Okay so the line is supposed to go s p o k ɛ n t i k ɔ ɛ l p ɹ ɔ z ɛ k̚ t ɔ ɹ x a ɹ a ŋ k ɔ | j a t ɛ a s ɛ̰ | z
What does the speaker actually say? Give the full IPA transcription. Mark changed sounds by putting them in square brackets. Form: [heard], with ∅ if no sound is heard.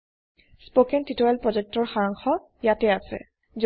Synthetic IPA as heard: s p o k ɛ n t i [t] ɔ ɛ l p ɹ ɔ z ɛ k̚ t ɔ ɹ x a ɹ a ŋ [x] ɔ | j a t ɛ a s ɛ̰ | z